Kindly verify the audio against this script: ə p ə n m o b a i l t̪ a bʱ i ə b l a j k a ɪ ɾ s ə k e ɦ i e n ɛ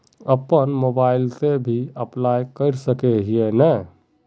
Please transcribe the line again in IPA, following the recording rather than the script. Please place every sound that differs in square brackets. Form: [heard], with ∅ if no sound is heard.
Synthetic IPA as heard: ə p ə n m o b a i l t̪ [e] bʱ i ə [p] l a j k [ə] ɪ ɾ s ə k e ɦ i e n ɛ